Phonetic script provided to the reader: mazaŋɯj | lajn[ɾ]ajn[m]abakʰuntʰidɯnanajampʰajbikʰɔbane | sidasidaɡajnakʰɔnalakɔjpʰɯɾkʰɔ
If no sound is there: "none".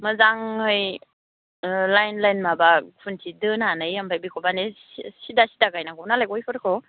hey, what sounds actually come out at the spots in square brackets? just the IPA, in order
l, m

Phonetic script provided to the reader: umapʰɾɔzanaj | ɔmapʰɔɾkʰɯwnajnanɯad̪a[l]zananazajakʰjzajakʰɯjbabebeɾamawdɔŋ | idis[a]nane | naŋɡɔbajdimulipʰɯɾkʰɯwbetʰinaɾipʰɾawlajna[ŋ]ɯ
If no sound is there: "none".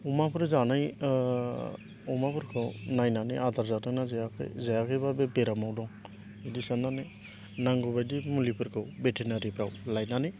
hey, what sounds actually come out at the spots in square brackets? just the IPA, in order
ɾ, a, n

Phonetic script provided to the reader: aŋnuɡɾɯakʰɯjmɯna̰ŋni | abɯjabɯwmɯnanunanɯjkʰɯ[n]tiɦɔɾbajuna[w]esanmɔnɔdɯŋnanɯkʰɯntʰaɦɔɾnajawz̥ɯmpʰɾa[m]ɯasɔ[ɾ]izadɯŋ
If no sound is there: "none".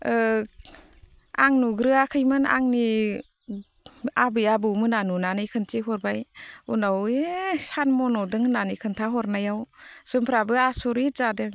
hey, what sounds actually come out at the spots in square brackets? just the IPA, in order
n, w, b, ɾ

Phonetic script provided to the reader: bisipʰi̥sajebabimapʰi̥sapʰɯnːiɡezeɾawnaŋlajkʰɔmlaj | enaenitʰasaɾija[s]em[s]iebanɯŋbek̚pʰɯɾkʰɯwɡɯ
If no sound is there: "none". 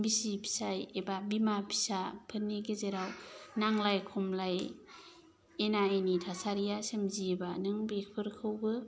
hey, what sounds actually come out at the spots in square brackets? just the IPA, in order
s, z

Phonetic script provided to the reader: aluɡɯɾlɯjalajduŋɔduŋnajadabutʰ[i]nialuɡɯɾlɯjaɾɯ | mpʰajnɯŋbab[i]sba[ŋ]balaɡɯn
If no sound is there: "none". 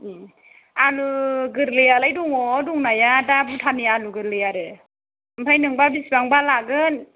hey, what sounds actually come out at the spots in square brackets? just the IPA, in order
a, i, ŋ

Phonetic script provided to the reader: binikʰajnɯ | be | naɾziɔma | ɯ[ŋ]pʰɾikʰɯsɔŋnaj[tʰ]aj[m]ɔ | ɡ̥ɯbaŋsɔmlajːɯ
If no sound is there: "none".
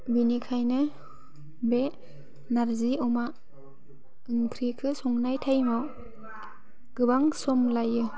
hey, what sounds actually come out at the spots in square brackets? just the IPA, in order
ŋ, tʰ, m

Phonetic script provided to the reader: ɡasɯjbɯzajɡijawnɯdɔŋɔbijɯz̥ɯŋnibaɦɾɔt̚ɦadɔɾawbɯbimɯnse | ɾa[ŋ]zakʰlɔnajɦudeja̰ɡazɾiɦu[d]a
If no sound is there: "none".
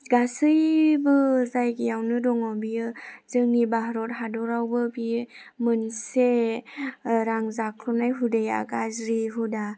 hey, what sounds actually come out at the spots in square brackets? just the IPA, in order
ŋ, d

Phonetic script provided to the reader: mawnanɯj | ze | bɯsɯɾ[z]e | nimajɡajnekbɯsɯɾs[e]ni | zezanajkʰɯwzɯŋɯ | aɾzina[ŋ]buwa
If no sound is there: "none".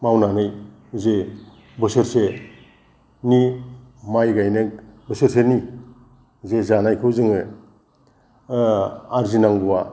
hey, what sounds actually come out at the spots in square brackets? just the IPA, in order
s, e, ŋ

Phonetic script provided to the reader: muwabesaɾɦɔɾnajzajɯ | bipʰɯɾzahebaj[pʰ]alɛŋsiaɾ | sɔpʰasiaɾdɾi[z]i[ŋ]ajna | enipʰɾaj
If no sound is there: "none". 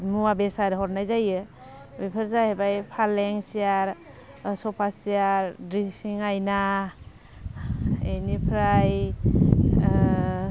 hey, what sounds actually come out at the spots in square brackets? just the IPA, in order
pʰ, s, ŋ

